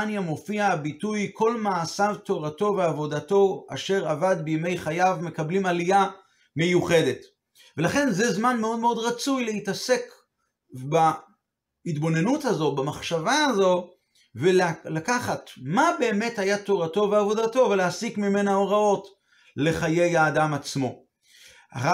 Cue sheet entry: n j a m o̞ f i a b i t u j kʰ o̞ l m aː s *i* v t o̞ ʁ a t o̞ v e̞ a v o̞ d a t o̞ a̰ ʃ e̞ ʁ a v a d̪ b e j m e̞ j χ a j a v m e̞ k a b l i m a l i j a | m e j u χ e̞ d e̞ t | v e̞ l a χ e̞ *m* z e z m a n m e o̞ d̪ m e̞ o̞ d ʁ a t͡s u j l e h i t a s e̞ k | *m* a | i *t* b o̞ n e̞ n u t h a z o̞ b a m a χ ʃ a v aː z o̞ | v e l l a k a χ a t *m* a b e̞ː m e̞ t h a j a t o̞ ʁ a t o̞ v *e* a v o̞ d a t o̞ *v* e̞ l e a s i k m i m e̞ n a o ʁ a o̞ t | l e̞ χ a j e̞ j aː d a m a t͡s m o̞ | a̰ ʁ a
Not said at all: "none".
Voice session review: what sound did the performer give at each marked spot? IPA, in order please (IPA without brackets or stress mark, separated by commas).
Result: a, n, b, t, m, e, v